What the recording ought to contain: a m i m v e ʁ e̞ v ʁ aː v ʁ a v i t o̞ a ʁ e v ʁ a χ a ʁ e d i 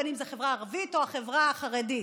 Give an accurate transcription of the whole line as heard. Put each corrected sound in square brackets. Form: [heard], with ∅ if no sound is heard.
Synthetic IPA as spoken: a [n] i m [z] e [χ] e̞ v ʁ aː [∅] ʁ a v i t o̞ a [χ] e v ʁ a χ a ʁ e d i

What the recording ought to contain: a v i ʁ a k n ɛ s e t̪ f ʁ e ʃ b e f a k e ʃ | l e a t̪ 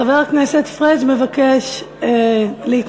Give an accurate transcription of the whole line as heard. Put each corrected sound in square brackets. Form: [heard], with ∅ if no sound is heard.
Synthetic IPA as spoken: a v [e] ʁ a k n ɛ s e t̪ f ʁ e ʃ [m] e [v] a k e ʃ | l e [i] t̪

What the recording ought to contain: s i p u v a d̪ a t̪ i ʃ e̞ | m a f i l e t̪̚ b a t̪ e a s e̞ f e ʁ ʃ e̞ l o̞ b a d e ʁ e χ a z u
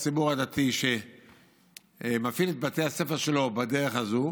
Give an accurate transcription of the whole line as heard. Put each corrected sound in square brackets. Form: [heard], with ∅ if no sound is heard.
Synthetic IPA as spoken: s i [b] u [ʁ] a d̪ a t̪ i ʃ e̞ | m a f i l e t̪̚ b a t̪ e a s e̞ f e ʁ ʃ e̞ l o̞ b a d e ʁ e χ a z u

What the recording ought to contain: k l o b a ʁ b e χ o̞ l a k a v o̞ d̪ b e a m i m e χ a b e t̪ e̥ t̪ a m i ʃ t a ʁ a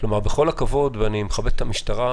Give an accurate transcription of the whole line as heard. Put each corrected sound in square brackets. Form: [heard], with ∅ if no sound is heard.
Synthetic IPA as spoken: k l o [m] a ʁ b e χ o̞ l a k a v o̞ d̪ [v] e a [n] i m e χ a b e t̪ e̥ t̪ a m i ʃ t a ʁ a

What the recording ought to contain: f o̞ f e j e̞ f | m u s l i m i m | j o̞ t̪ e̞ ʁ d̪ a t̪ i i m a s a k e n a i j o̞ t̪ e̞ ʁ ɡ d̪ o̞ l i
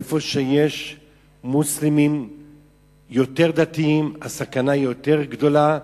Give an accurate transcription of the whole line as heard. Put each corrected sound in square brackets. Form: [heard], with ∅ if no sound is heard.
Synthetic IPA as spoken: f o̞ [ʃ] e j e̞ [ʃ] | m u s l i m i m | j o̞ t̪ e̞ ʁ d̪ a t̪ i i m a s a k [a] n a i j o̞ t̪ e̞ ʁ ɡ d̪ o̞ l [a]

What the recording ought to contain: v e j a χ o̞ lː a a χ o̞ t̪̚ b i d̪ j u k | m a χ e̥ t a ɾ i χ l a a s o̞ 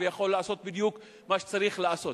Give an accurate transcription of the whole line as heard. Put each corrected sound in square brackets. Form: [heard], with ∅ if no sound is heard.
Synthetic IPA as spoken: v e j a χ o̞ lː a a [s] o̞ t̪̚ b i d̪ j u k | m a [ʃ] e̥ [t͡s] a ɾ i χ l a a s o̞

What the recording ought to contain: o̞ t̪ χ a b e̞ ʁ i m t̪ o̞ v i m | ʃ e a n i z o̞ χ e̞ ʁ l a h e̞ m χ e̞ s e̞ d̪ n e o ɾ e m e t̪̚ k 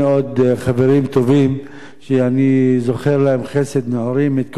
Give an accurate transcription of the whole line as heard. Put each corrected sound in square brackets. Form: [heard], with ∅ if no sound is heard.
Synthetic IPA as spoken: o̞ [d̪] χ a [v] e̞ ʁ i m t̪ o̞ v i m | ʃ e a n i z o̞ χ e̞ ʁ l a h e̞ m χ e̞ s e̞ d̪ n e o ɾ [i] m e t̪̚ k

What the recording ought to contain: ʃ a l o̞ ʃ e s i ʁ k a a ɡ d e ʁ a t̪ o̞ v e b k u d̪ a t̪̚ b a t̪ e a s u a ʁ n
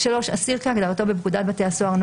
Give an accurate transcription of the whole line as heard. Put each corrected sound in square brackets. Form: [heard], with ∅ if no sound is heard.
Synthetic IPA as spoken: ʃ a l o̞ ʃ [a] s i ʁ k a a ɡ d [a] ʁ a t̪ o̞ [b] e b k u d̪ a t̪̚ b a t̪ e a s [o] a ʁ n

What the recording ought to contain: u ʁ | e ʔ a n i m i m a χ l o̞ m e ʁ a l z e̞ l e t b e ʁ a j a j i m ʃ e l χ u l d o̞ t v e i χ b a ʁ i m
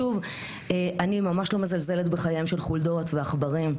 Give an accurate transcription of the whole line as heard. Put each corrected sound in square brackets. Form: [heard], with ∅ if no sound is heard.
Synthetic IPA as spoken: u [v] | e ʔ a n i m [a] m a [ʃ] l o̞ m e [z] a l z e̞ l e t b e [χ] a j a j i m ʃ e l χ u l d o̞ t v e [a] χ b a ʁ i m

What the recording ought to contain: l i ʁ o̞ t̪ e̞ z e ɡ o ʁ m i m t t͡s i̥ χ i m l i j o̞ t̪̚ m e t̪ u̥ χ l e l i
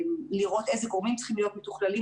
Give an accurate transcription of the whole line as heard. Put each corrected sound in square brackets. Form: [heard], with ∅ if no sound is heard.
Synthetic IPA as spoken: l i ʁ o̞ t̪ e̞ z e ɡ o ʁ m i m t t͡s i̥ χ i m l i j o̞ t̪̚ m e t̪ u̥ χ l [a] l i

